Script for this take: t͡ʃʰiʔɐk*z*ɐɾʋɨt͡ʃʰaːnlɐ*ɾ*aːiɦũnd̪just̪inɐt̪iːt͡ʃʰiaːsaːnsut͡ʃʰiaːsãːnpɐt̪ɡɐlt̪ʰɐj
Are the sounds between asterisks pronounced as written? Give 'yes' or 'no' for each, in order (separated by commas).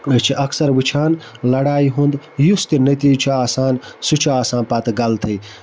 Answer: no, no